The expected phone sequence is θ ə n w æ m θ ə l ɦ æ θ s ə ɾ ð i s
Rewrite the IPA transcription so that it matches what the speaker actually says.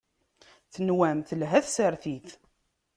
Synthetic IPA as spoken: θ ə n w æ m θ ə l ɦ æ θ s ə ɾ θ i θ